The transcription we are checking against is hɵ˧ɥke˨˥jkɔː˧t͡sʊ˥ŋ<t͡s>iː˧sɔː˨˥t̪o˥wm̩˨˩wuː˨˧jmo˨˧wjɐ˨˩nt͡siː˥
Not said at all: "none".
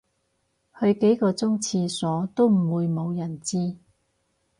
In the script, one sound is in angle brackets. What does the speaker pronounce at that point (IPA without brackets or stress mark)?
t͡sʰ